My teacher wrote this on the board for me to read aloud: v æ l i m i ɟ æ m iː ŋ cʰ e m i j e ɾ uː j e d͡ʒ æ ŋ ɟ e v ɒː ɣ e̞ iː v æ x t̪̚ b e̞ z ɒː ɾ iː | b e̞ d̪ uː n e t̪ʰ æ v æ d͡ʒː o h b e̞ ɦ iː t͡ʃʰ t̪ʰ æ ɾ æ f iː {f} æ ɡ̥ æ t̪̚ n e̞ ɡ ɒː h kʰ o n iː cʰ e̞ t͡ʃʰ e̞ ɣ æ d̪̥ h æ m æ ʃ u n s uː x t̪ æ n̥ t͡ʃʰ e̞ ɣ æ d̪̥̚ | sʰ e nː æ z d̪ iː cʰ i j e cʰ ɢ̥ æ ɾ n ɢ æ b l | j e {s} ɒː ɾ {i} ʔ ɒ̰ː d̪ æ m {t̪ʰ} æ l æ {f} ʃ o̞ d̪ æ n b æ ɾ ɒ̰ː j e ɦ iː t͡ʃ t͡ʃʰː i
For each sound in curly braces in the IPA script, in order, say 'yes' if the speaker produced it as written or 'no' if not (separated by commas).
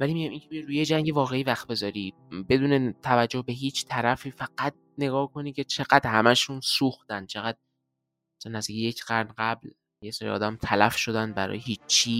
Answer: yes, yes, yes, yes, yes